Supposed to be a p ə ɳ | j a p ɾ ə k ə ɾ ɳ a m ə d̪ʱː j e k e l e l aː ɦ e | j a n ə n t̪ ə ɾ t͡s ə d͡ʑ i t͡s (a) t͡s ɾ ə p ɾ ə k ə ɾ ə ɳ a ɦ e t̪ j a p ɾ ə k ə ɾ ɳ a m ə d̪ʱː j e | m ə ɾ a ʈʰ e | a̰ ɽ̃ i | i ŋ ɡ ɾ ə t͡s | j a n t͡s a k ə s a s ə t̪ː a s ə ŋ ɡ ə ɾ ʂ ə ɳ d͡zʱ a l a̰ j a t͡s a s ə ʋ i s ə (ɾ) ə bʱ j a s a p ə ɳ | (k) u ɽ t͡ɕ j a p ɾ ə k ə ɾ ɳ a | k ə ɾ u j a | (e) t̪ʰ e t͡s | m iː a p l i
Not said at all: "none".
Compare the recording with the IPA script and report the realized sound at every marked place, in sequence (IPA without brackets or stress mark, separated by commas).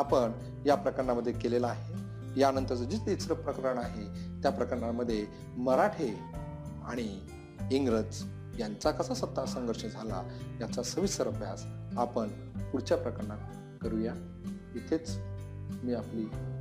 i, ɾ, p, i